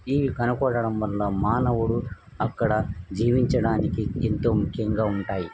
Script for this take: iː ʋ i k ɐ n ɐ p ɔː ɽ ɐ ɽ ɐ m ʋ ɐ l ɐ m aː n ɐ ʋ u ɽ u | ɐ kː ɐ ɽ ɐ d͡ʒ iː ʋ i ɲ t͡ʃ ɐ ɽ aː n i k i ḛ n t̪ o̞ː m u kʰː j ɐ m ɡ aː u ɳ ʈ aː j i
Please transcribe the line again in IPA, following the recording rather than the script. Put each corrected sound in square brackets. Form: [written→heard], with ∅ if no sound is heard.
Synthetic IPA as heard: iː ʋ i k ɐ n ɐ [p→k] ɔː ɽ ɐ ɽ ɐ m ʋ ɐ [l→lː] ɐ m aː n ɐ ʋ u ɽ u | ɐ kː ɐ ɽ ɐ d͡ʒ iː ʋ i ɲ t͡ʃ ɐ ɽ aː n i k i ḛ n t̪ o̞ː m u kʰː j ɐ [m→ŋ] ɡ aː u ɳ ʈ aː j i